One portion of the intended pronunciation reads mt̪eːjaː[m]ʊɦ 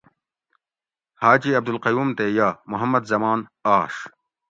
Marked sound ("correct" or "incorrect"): correct